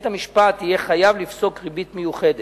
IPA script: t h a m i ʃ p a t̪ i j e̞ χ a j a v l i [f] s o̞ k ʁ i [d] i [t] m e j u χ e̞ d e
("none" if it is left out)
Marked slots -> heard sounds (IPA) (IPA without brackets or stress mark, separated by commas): f, b, t